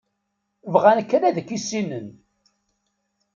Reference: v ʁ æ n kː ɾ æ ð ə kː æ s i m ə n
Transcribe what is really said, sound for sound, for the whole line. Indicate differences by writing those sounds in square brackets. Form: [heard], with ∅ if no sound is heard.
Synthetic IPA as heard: v ʁ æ n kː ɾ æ ð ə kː [i] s i [n] ə n